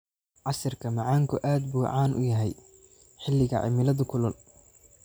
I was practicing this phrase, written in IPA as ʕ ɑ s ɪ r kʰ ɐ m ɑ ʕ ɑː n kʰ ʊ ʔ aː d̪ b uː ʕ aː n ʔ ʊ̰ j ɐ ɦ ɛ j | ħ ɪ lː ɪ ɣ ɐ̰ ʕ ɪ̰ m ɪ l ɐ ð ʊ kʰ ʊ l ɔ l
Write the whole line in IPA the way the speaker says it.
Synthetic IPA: ʕ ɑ s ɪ r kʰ ɐ m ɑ ʕ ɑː ŋ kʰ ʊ ʔ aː d̪ b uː ʕ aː n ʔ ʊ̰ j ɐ ɦ ɛ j | ħ ɪ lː ɪ ɣ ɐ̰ ʕ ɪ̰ m ɪ l ɐ ð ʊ kʰ ʊ l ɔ l